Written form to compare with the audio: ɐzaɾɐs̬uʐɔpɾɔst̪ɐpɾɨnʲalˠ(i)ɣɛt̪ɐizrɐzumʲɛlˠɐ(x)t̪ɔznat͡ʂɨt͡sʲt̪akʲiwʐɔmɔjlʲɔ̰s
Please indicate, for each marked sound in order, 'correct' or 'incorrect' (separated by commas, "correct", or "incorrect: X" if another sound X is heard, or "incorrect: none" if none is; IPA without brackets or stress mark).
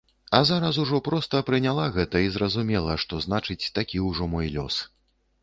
incorrect: a, incorrect: ʂ